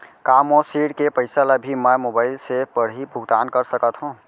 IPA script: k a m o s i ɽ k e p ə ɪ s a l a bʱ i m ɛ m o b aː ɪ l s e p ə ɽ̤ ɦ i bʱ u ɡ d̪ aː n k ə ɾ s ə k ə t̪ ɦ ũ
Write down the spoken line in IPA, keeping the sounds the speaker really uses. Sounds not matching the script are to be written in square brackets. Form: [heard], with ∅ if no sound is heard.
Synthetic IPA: k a m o s i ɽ k e p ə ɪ s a l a bʱ i m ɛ m o b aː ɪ l s e p ə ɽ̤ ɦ i bʱ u ɡ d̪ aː n k ə ɾ s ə k ə t̪ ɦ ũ